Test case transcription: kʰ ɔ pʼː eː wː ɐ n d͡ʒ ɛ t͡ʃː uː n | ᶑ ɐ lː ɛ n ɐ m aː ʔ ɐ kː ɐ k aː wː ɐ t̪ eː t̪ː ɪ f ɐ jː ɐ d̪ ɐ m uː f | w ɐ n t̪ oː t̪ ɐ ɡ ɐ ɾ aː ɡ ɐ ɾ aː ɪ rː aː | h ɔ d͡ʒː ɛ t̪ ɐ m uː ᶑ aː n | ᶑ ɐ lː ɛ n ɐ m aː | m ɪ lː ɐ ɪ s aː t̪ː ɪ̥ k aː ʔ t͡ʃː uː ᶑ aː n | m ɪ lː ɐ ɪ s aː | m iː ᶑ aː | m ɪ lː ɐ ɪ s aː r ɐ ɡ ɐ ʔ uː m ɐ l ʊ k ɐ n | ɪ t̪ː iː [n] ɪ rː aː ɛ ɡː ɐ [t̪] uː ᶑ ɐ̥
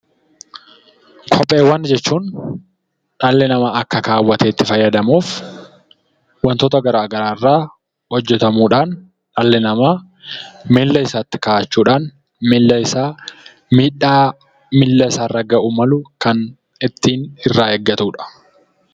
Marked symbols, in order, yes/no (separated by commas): yes, yes